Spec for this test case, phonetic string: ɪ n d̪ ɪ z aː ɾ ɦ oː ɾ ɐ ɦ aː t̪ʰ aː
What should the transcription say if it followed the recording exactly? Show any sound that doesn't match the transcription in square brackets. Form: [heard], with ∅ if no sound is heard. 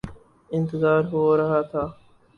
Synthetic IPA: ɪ n [t̪] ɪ z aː ɾ ɦ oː ɾ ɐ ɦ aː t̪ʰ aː